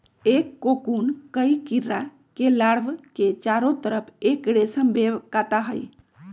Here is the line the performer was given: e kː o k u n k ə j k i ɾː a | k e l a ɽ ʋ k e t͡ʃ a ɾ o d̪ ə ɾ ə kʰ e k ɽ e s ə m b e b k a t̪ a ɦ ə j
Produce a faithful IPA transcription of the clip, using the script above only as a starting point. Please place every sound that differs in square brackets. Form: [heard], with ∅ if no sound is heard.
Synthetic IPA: e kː o k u n k ə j k i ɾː a | k e l a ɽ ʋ k e t͡ʃ a ɾ o [t̪] ə ɾ ə [pʰ] e k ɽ e s ə m b e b k a t̪ a ɦ ə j